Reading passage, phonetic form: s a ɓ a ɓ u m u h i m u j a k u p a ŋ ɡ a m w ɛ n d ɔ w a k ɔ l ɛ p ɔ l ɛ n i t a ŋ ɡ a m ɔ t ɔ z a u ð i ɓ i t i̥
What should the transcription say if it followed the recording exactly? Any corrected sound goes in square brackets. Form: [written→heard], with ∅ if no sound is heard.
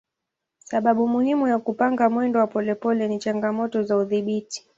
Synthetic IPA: s a ɓ a ɓ u m u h i m u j a k u p a ŋ ɡ a m w ɛ n d ɔ w a [k→p] ɔ l ɛ p ɔ l ɛ n i [t→t͡ʃ] a ŋ ɡ a m ɔ t ɔ z a u ð i ɓ i t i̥